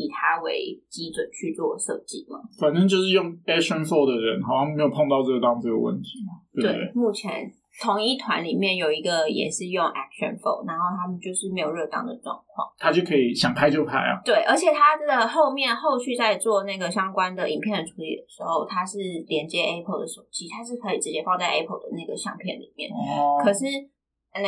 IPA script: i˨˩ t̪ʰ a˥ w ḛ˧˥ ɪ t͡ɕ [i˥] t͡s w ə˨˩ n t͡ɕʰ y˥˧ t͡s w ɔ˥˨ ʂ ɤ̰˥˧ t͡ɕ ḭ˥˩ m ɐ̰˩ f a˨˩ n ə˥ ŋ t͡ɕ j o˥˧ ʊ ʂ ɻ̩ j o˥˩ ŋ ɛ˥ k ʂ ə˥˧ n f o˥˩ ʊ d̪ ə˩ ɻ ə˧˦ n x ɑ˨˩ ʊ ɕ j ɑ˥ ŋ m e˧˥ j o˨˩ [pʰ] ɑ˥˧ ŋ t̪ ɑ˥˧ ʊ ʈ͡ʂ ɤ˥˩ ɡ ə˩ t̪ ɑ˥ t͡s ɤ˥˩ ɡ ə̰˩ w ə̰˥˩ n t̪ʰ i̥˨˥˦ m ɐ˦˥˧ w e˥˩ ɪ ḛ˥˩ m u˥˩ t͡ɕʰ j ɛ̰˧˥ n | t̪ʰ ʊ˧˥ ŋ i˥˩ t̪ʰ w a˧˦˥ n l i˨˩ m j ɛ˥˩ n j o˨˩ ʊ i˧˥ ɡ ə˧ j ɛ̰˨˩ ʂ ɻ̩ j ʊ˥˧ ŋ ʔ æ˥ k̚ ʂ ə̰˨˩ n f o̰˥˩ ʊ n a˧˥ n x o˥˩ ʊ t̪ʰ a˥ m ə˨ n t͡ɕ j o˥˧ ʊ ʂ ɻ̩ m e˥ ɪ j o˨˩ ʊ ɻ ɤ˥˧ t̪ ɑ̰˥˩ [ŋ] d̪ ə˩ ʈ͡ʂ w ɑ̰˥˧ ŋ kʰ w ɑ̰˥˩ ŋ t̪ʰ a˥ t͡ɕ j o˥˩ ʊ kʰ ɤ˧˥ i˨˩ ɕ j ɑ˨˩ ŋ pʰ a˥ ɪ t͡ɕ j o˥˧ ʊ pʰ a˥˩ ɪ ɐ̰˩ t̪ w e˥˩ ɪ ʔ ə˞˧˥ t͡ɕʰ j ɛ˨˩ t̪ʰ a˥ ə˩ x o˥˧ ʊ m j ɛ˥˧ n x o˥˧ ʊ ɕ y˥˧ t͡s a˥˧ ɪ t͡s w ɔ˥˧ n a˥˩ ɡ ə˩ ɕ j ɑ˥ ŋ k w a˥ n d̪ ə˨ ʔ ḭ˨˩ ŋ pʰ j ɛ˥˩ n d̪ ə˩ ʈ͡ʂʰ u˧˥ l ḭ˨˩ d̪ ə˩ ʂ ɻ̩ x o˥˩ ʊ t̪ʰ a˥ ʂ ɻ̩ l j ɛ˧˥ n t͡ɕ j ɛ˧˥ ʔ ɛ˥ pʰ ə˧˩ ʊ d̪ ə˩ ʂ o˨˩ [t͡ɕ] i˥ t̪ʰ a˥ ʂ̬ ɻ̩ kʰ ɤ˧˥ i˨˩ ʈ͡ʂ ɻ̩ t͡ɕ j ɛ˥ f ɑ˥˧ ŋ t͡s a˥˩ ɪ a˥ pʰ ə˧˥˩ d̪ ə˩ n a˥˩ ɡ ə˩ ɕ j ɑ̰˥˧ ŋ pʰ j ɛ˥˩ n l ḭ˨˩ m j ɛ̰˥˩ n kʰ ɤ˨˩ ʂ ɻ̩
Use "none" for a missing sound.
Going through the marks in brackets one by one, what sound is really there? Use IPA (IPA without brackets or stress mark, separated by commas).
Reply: i˥, pʰ, ŋ, t͡ɕ